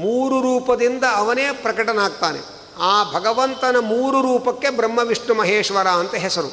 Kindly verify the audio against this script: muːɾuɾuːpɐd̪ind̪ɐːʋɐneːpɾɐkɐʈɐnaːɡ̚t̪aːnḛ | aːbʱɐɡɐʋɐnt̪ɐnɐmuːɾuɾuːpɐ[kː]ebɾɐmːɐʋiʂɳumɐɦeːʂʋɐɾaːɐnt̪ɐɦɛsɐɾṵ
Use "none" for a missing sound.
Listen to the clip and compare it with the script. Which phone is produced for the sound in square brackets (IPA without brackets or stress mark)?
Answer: kː